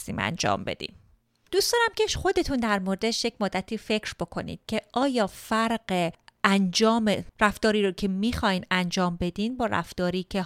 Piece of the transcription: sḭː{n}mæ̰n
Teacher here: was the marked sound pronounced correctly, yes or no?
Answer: no